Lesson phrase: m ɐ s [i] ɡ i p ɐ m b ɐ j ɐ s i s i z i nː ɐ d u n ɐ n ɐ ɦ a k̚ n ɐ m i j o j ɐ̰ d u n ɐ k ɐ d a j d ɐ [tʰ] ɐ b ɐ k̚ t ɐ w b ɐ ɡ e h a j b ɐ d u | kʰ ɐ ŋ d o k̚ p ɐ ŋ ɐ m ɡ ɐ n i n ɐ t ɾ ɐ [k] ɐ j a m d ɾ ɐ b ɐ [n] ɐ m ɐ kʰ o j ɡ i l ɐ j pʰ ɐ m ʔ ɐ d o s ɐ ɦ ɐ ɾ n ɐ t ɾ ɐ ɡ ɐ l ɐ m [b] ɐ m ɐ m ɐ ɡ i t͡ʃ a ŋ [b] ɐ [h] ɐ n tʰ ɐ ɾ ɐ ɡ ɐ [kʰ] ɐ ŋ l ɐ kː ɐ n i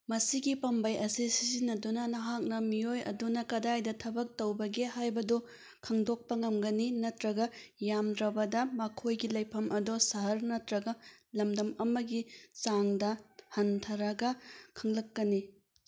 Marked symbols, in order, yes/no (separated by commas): yes, yes, no, no, no, no, yes, yes